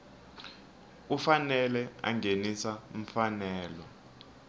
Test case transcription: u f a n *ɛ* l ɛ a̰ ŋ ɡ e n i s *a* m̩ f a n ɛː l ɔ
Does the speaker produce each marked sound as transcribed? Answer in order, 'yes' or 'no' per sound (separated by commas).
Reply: yes, yes